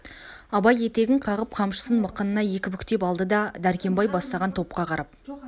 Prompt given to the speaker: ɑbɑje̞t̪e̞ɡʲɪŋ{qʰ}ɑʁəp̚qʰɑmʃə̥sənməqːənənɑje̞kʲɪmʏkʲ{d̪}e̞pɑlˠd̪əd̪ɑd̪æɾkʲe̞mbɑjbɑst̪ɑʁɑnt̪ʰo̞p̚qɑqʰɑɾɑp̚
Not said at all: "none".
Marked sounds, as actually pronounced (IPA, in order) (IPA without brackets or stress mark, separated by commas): qʰ, t̪